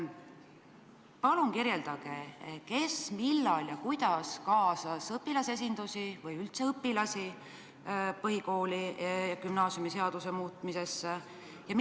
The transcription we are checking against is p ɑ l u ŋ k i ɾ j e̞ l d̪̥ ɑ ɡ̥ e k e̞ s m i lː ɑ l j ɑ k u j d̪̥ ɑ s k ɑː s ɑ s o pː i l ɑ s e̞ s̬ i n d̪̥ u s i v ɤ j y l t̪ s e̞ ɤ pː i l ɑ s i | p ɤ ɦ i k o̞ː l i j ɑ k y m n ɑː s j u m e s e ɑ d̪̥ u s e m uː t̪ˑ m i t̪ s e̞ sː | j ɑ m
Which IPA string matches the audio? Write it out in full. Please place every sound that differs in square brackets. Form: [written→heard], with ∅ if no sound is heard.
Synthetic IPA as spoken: p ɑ l u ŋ k i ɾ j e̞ l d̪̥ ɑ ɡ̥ e k e̞ s m i lː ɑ l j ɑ k u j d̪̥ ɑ s k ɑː s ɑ s [o→ɤ] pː i l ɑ s e̞ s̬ i n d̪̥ u s i v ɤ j y l t̪ s e̞ ɤ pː i l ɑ s i | p ɤ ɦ i k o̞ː l i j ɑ k y m n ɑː s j u m [e→i] s e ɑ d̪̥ u s e m uː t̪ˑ m i [t̪→∅] s e̞ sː | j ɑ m